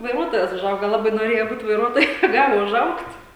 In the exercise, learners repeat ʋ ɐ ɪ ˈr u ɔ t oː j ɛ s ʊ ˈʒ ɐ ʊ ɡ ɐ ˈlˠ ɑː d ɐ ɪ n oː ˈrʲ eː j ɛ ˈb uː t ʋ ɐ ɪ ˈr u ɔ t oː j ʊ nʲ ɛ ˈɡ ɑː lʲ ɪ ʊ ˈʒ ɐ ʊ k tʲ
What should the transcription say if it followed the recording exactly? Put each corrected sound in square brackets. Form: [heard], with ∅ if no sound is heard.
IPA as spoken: ʋ ɐ ɪ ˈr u ɔ t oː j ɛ s ʊ ˈʒ ɐ ʊ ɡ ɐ ˈlˠ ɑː [b] ɐ ɪ n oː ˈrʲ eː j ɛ ˈb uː t ʋ ɐ ɪ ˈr u ɔ t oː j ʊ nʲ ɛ ˈɡ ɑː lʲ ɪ ʊ ˈʒ ɐ ʊ k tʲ

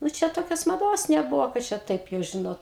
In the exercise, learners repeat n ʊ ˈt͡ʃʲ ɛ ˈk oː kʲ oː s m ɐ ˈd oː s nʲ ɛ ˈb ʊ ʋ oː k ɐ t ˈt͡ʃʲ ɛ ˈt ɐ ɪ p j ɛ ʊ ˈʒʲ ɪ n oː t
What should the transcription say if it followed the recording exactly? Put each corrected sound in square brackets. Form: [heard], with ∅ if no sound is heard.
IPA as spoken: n ʊ ˈt͡ʃʲ ɛ [ˈt] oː kʲ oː s m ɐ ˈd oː s nʲ ɛ ˈb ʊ ʋ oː k ɐ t ˈt͡ʃʲ ɛ ˈt ɐ ɪ p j ɛ ʊ ˈʒʲ ɪ n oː t

